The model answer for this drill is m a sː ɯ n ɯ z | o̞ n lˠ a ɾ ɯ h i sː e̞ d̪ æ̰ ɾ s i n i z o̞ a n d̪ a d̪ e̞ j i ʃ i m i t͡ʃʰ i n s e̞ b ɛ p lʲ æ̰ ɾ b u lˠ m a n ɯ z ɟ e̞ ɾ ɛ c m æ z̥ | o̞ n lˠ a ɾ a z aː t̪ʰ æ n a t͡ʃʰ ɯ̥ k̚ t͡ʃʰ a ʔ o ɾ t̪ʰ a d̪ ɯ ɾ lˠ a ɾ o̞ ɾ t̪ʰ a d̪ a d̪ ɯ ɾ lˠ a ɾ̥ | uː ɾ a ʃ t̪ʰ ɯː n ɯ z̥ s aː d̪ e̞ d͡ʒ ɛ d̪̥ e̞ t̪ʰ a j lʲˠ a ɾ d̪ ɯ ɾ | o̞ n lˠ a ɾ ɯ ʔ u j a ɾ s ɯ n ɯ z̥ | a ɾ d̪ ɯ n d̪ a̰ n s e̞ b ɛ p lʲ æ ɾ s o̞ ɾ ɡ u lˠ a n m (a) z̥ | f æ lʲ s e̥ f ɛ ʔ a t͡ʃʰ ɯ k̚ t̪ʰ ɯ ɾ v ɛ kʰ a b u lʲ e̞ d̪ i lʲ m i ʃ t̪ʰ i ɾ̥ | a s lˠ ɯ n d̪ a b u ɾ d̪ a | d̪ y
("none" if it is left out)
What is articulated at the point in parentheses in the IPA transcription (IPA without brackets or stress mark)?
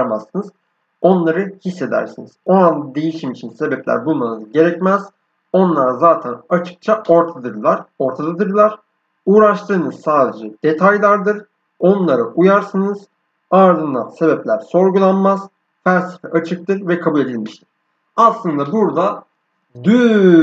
a